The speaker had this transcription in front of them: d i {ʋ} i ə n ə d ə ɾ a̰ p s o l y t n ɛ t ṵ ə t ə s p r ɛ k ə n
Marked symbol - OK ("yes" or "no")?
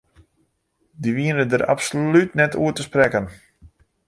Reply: yes